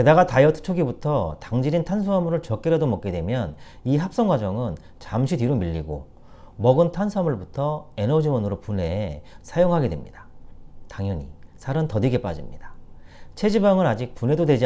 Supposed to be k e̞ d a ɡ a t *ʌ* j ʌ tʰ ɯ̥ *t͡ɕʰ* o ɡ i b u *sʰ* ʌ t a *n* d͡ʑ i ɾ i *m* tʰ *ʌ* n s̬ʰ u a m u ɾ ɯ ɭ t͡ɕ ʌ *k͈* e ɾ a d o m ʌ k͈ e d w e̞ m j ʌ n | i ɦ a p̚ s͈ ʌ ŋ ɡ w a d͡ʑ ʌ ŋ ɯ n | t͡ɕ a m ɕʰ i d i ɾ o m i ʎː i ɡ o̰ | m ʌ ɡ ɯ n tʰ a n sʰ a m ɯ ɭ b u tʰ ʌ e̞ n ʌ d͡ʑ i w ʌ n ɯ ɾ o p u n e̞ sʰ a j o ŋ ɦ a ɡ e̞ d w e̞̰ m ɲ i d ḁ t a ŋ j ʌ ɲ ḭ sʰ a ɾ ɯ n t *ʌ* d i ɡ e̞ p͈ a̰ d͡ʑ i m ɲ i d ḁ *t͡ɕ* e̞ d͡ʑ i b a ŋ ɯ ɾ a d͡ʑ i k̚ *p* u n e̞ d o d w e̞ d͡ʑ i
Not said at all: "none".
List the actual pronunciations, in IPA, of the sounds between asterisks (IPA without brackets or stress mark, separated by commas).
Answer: a, t͡ɕʰ, tʰ, ŋ, n, a, k͈, ʌ, t͡ɕʰ, p